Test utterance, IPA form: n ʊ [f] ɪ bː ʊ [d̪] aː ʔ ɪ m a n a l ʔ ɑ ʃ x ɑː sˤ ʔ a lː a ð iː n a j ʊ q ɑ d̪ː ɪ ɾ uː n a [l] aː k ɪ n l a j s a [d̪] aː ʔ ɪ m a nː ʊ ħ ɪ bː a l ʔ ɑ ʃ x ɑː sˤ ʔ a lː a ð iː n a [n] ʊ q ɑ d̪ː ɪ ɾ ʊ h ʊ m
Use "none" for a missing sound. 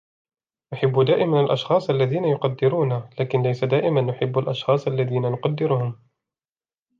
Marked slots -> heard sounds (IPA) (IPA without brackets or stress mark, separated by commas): ħ, d̪, l, d̪, n